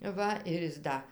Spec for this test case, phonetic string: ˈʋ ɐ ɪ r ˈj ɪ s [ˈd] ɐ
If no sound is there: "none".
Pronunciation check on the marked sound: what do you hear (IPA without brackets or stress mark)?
d